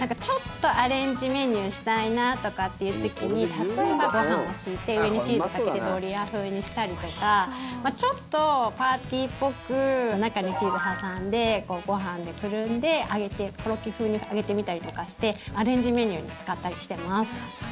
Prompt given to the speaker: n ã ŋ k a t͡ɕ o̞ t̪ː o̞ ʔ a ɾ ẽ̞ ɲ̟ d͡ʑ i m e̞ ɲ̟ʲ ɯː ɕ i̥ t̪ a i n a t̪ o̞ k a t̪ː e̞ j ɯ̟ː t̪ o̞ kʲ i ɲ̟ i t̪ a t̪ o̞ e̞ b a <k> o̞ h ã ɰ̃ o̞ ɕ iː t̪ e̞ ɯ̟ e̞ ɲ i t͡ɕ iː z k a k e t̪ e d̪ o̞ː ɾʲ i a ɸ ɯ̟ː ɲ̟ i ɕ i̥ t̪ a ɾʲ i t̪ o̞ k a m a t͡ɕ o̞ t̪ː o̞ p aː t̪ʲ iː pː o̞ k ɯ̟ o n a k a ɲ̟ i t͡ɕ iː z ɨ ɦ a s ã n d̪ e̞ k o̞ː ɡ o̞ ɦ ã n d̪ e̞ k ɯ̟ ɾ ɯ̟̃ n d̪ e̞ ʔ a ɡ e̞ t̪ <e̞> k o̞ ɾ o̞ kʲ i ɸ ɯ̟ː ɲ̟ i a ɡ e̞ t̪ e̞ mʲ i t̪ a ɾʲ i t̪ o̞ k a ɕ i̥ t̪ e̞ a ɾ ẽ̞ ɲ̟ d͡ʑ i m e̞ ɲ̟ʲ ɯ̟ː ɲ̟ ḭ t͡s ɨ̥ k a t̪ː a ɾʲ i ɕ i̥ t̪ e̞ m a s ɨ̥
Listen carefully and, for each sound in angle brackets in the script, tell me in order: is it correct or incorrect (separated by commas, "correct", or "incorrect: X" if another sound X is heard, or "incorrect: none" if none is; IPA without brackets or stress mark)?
incorrect: ɡ, correct